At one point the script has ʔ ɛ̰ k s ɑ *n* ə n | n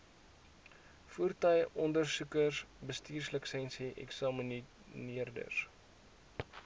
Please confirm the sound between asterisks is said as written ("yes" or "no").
no